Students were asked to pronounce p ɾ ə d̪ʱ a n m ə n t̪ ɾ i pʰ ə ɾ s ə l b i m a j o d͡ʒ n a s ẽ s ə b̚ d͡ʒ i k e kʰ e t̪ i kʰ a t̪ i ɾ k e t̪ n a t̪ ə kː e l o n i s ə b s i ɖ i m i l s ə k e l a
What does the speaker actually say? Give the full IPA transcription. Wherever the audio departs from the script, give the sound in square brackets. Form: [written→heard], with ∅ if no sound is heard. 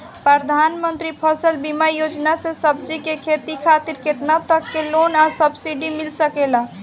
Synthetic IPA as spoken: p ɾ ə d̪ʱ a n m ə n t̪ ɾ i pʰ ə [ɾ→∅] s ə l b i m a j o d͡ʒ n a s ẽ s ə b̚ d͡ʒ i k e kʰ e t̪ i kʰ a t̪ i ɾ k e t̪ n a t̪ ə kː e l o n [i→a] s ə b s i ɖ i m i l s ə k e l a